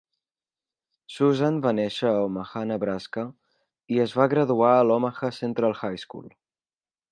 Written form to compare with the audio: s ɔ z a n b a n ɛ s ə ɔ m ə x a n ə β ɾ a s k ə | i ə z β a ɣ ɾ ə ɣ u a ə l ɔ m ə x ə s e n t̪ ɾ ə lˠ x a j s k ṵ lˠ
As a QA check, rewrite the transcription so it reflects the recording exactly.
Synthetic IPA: s u z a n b a n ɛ ʃ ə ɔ m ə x a n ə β ɾ a s k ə | i ə z β a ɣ ɾ ə ð u a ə l ɔ m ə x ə s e n t̪ ɾ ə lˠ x a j s k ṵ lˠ